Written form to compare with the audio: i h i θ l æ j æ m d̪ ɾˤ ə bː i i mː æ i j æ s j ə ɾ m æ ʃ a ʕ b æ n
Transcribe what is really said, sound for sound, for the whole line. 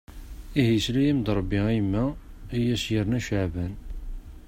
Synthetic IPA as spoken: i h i s l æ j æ m d̪ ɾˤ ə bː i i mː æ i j æ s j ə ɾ n æ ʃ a ʕ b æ n